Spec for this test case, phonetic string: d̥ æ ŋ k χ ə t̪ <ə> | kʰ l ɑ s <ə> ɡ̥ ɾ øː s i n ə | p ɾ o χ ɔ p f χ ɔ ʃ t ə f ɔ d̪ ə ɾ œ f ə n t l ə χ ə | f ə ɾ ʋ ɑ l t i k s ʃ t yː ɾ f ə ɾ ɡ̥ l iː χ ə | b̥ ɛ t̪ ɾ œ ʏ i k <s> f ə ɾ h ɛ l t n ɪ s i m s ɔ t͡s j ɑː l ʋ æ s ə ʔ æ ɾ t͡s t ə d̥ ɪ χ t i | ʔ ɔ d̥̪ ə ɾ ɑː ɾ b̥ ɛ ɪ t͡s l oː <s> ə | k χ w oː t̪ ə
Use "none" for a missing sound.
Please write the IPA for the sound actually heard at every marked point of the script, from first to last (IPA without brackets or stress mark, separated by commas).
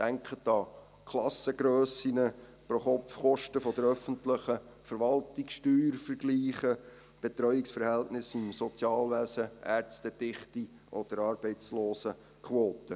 ɑ, ə, s, s